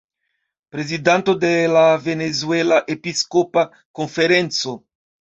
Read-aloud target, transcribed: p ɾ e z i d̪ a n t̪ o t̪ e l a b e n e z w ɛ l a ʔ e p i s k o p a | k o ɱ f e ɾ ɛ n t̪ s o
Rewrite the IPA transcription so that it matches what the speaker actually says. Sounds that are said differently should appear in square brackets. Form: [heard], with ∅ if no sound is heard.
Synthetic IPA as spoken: p ɾ e z i d̪ a n t̪ o [d̪] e l a [v] e n e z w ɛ l a ʔ e p i s k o p a | k o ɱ f e ɾ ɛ n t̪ s o